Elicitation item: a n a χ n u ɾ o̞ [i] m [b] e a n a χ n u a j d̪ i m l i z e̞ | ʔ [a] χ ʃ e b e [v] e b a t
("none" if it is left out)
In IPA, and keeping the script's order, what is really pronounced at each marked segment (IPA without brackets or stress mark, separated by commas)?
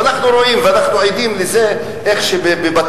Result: i, v, e, b